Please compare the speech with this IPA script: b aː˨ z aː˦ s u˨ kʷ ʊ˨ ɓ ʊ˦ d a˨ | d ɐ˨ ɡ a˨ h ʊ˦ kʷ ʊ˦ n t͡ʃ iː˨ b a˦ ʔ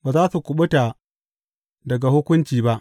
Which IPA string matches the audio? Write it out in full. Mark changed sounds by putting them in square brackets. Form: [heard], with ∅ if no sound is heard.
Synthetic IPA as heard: b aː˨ z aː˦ s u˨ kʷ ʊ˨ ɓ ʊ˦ [t] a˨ | d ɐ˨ ɡ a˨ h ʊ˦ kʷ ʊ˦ n t͡ʃ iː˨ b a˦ ʔ